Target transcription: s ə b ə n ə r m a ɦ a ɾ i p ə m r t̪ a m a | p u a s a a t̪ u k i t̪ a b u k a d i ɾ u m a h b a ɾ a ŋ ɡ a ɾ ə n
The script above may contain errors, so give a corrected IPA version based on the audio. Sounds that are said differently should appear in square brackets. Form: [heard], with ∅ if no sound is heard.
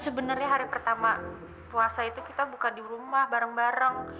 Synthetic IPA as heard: s ə b ə n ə r [ɲ] a ɦ a ɾ i p ə [∅] r t̪ a m a | p u a s a [i] t̪ u k i t̪ a b u k a d i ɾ u m a h b a ɾ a ŋ [b] a ɾ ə [ŋ]